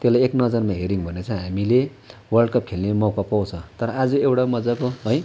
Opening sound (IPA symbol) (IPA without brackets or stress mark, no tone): t̪